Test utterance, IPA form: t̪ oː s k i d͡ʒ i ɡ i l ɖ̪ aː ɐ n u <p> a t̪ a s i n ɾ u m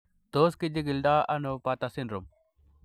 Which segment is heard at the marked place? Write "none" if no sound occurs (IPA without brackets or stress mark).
p